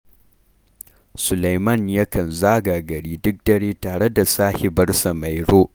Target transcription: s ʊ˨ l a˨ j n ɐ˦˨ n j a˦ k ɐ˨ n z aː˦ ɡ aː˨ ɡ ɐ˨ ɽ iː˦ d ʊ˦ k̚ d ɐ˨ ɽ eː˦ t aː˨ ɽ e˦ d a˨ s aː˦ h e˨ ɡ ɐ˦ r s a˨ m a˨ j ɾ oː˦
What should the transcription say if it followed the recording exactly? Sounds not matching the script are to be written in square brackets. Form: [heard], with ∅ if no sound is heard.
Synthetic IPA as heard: s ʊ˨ l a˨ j [m] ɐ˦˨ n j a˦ k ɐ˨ n z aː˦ ɡ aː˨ ɡ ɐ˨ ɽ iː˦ d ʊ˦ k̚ d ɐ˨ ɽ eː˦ t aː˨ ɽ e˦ d a˨ s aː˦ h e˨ [b] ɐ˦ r s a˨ m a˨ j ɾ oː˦